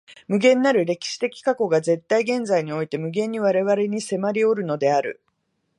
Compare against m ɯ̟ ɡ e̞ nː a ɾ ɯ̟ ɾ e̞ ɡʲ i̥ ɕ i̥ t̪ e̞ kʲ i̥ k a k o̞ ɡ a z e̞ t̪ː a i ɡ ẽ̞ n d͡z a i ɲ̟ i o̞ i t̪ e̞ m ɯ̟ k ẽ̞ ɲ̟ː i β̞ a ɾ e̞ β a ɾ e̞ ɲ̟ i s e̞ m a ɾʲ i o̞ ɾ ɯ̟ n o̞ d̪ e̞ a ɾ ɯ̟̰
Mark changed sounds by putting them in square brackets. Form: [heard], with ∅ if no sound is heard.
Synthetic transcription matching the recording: m ɯ̟ ɡ [ẽ̞] nː a ɾ ɯ̟ ɾ e̞ [kʲ] i̥ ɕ i̥ t̪ e̞ kʲ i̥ k a k o̞ ɡ a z e̞ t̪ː a i ɡ ẽ̞ n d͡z a i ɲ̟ i o̞ i t̪ e̞ m ɯ̟ [ɡ] ẽ̞ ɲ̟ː i β̞ a ɾ e̞ β a ɾ e̞ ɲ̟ i s e̞ m a ɾʲ i o̞ ɾ ɯ̟ n o̞ d̪ e̞ a ɾ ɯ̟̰